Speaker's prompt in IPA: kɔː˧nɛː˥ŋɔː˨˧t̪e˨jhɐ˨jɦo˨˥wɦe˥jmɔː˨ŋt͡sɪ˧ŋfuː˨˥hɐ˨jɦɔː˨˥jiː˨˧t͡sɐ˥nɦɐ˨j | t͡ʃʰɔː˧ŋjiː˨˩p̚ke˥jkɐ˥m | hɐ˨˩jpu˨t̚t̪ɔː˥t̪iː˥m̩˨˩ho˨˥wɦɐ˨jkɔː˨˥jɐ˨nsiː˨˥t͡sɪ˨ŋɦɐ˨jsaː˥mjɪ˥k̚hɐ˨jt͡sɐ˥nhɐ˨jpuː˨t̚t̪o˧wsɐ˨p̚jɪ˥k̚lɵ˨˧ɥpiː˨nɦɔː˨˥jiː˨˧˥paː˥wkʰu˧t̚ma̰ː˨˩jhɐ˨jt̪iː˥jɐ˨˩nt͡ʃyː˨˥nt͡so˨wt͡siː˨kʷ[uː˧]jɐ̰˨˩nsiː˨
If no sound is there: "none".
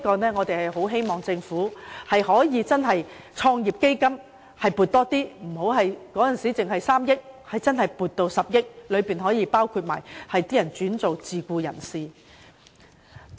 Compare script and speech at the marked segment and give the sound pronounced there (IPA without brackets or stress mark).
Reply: uː˧